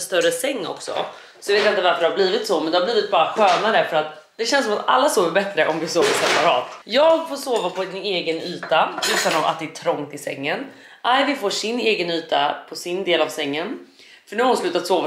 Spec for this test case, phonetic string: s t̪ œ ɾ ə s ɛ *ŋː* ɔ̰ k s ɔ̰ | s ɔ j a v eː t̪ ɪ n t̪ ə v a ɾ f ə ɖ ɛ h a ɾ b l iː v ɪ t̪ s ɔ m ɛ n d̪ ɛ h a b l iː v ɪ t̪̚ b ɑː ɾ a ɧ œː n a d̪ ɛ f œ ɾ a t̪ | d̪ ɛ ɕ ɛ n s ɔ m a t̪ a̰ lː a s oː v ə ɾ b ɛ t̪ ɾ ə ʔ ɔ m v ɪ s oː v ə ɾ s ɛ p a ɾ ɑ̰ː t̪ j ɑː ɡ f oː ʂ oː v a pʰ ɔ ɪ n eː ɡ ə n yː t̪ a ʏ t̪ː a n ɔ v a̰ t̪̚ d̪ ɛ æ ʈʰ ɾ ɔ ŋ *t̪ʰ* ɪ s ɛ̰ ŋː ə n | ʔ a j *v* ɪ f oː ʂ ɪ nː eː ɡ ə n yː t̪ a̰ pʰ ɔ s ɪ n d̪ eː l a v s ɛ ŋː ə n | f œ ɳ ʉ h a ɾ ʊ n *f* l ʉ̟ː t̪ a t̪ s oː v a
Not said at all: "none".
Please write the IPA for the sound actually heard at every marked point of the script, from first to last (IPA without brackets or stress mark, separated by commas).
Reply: ŋː, t̪, v, s